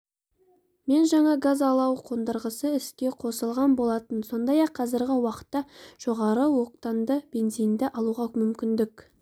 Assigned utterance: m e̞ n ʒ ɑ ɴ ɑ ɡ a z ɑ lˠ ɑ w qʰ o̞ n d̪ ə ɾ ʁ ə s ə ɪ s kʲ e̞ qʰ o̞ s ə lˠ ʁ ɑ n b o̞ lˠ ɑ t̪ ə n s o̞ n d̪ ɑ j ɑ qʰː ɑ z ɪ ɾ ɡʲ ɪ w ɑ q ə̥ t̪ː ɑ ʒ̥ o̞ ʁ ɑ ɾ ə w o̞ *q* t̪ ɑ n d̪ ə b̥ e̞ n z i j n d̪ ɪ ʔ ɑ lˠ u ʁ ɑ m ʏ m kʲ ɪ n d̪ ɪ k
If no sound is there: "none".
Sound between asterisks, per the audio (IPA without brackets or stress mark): q